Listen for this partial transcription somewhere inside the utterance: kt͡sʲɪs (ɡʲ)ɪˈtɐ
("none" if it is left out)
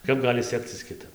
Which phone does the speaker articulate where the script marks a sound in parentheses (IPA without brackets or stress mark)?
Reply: kʲ